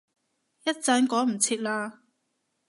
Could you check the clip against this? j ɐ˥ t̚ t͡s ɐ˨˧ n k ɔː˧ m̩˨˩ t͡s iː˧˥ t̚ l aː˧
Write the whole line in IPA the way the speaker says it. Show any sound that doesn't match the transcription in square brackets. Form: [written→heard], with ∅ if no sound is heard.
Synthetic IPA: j ɐ˥ t̚ t͡s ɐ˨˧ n k [ɔː˧→ɔː˨˥] m̩˨˩ [t͡s→t͡sʰ] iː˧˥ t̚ l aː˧